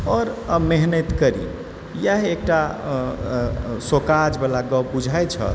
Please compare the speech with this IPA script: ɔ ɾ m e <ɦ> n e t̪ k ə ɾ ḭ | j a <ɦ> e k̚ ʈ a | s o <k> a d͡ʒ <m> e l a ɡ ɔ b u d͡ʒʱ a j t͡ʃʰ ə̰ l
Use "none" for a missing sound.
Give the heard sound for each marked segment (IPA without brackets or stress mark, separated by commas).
ɦ, ɦ, k, b